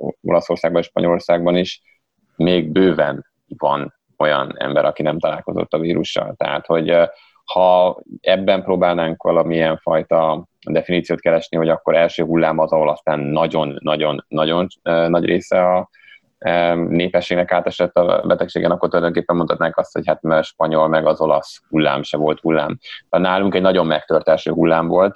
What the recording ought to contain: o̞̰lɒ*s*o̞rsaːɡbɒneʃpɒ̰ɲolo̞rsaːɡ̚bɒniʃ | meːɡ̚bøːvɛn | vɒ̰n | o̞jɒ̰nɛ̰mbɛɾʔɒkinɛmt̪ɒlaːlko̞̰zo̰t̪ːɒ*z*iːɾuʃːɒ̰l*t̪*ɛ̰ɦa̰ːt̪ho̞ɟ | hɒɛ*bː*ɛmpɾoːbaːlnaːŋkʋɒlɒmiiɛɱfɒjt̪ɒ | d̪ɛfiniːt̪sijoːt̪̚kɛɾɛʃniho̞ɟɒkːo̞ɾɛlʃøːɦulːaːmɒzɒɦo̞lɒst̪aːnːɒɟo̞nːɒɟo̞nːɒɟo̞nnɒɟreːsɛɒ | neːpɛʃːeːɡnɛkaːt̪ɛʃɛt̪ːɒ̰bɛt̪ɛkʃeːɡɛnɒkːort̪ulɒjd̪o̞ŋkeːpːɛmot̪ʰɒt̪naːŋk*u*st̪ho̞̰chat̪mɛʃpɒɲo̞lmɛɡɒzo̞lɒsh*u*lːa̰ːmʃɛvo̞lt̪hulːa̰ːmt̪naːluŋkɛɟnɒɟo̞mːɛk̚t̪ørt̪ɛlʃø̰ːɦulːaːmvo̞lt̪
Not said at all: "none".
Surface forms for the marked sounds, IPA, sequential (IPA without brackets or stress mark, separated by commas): s, v, t̪, bː, ɒ, u